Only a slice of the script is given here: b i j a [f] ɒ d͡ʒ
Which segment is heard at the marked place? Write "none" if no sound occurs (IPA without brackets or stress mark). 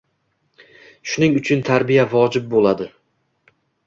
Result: v